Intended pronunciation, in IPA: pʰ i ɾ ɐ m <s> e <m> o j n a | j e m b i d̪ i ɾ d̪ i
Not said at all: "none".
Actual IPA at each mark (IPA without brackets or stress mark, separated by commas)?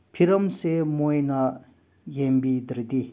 s, m